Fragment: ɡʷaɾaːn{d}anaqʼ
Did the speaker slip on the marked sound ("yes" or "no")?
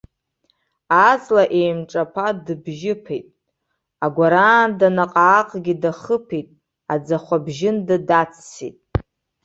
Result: no